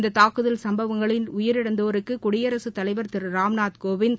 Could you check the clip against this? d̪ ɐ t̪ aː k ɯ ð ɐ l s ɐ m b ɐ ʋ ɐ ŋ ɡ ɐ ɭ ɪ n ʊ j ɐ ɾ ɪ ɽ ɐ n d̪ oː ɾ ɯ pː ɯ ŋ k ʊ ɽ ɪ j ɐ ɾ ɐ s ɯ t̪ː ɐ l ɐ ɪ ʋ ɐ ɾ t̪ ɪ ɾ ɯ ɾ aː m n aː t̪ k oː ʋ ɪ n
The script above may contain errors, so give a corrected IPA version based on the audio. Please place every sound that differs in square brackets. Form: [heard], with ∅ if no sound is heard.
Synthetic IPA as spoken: d̪ ɐ t̪ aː k ɯ ð ɐ l s ɐ m b ɐ ʋ ɐ ŋ ɡ ɐ ɭ ɪ n ʊ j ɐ ɾ ɪ ɽ ɐ n d̪ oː ɾ ɯ [kː] ɯ [∅] k ʊ ɽ ɪ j ɐ ɾ ɐ s ɯ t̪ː ɐ l ɐ ɪ ʋ ɐ ɾ t̪ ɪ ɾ ɯ ɾ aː m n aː t̪ k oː ʋ ɪ n